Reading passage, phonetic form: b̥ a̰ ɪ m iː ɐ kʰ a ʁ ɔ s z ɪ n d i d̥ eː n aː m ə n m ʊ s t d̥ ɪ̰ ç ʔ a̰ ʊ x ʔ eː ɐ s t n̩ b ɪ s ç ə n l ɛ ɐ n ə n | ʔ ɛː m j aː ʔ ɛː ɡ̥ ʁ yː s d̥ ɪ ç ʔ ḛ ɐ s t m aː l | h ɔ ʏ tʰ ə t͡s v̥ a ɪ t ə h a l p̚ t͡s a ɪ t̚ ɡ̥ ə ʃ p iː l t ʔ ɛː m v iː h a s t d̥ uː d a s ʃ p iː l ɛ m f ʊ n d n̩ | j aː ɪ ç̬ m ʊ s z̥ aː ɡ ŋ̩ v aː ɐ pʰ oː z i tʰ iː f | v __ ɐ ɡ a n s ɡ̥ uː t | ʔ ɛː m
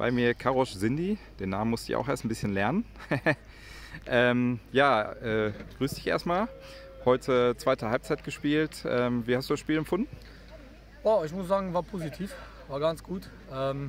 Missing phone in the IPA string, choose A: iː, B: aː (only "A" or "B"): B